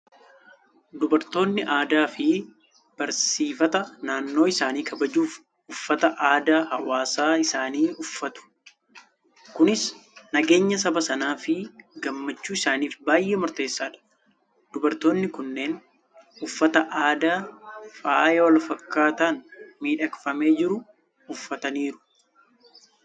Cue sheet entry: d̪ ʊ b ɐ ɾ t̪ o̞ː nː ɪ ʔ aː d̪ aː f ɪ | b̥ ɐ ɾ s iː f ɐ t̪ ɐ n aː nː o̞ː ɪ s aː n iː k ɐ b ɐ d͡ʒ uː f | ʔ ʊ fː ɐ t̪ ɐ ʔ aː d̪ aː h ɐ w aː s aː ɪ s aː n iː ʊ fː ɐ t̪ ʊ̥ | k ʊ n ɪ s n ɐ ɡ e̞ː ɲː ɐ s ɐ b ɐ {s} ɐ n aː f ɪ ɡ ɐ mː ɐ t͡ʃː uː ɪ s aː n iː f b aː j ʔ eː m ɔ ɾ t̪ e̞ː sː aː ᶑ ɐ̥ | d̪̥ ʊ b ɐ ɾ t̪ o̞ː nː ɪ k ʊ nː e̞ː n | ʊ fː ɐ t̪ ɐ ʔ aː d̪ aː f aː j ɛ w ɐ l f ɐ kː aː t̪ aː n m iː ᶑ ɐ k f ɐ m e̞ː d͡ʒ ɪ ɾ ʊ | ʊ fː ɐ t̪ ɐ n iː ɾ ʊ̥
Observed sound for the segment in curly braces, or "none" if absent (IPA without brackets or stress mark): s